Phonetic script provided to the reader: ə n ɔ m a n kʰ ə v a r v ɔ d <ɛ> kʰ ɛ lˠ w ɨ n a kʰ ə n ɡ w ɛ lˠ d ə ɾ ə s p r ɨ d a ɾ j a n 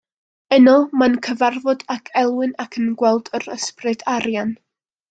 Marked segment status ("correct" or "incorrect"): incorrect